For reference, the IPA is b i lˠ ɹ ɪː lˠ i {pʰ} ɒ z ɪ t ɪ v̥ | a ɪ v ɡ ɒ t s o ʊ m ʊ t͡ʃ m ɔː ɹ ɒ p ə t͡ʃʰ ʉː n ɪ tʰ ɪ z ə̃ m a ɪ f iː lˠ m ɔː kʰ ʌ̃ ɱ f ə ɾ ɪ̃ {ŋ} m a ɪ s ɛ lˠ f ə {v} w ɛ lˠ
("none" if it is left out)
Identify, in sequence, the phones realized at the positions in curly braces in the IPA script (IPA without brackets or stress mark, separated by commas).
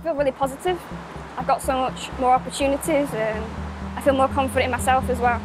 pʰ, n, z